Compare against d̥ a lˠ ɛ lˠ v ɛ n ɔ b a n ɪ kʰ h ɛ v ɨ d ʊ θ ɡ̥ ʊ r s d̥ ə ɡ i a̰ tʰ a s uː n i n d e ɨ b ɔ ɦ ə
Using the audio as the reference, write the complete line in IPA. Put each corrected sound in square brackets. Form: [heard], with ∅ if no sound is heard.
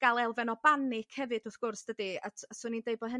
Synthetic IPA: [ɡ̥] a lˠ ɛ lˠ v ɛ n ɔ b a n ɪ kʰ h ɛ v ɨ d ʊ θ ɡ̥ ʊ r s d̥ ə [d] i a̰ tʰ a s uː n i n d e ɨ b ɔ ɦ ə